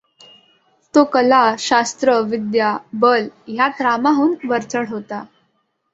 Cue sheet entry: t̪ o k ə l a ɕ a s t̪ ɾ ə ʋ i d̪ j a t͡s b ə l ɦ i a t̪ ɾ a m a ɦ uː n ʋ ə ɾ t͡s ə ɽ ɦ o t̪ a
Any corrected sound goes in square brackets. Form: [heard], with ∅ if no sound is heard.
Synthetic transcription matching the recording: t̪ o k ə l a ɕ a s t̪ ɾ ə ʋ i d̪ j a [∅] b ə l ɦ [j] a t̪ ɾ a m a ɦ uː n ʋ ə ɾ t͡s ə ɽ ɦ o t̪ a